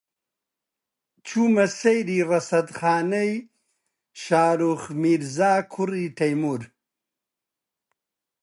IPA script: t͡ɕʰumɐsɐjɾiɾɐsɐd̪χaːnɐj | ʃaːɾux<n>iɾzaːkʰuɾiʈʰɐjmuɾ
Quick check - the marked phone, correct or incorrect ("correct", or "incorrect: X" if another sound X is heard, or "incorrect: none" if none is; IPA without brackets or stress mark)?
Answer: incorrect: m